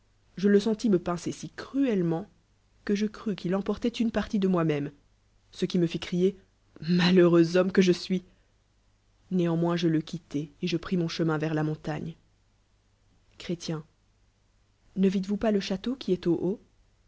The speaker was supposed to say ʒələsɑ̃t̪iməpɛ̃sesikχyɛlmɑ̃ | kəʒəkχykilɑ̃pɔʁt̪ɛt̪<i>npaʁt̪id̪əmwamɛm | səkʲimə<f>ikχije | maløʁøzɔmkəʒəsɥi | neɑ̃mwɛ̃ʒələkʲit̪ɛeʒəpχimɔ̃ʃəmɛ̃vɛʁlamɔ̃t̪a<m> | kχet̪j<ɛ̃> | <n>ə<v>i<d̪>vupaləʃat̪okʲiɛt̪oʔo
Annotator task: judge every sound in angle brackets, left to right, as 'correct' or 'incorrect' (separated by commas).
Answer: incorrect, correct, incorrect, correct, correct, correct, incorrect